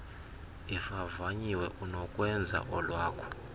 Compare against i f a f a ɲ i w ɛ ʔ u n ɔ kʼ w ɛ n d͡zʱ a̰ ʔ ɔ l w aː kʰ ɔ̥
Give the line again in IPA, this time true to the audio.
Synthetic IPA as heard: i f a v a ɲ i w ɛ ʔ u n ɔ kʼ w ɛ n d͡zʱ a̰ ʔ ɔ l w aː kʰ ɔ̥